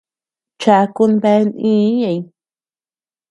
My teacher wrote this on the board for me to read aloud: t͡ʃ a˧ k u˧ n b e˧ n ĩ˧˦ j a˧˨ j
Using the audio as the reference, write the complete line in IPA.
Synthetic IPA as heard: t͡ʃ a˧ k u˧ n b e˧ n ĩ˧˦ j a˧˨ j